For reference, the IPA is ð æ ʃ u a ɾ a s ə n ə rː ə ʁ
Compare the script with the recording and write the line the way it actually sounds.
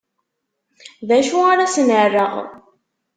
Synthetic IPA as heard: ð æ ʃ u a ɾ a s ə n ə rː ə ʁ